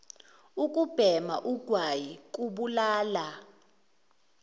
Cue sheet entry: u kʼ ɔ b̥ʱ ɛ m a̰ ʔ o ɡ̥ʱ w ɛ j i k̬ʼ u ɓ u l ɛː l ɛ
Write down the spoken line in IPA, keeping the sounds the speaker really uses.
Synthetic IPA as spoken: u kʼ u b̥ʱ ɛ m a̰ ʔ u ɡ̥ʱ w a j i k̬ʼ u ɓ u l aː l a